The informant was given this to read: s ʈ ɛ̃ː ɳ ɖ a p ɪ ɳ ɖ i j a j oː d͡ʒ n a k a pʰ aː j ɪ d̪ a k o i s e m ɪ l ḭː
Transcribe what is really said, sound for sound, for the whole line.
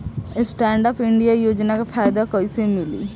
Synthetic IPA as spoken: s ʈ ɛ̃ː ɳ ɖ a p ɪ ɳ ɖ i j a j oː d͡ʒ n a k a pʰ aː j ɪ d̪ a k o i s e m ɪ l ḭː

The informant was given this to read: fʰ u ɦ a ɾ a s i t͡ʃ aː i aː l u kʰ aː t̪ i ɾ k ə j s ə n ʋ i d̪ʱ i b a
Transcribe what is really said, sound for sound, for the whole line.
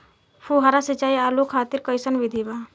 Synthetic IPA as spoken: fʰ u ɦ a ɾ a s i t͡ʃ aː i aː l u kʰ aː t̪ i ɾ k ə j s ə n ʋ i d̪ʱ i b a

